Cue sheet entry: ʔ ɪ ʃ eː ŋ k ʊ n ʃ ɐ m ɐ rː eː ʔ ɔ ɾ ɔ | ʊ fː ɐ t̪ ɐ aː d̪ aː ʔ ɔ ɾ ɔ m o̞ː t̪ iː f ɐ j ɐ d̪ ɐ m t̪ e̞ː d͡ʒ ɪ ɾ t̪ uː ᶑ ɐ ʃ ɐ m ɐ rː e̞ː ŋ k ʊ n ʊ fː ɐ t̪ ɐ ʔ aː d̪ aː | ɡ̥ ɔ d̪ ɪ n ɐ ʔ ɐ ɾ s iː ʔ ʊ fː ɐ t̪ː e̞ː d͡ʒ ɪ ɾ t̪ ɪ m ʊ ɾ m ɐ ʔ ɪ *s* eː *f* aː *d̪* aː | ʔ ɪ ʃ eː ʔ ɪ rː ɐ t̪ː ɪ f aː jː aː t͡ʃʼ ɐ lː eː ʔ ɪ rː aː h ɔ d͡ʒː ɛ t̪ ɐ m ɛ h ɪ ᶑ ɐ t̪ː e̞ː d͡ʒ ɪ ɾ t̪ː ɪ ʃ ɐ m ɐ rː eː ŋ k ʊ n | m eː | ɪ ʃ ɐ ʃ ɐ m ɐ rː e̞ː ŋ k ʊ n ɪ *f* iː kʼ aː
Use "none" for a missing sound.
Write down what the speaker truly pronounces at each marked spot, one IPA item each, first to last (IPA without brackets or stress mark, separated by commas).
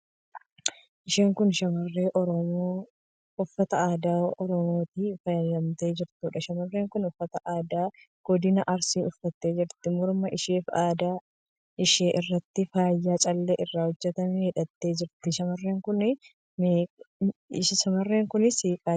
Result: ʃ, f, d̪, s